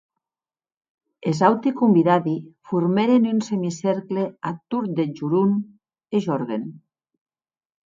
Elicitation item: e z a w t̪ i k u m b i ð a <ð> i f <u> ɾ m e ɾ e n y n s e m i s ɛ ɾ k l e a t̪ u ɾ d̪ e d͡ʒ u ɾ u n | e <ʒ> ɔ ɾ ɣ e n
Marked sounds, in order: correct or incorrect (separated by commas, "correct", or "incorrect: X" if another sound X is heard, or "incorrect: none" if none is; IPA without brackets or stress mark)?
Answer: correct, correct, correct